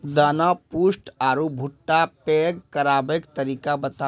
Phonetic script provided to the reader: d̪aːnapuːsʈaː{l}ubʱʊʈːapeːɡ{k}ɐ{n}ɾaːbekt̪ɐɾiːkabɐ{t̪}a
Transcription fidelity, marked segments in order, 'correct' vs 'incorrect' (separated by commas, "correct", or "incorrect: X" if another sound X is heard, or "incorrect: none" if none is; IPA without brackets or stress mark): incorrect: ɾ, correct, incorrect: none, correct